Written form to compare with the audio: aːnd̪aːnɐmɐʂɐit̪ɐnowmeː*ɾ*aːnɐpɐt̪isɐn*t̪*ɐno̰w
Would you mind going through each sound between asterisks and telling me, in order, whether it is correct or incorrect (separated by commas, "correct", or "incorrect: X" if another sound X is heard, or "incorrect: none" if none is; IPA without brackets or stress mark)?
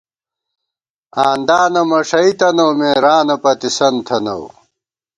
correct, incorrect: t̪ʰ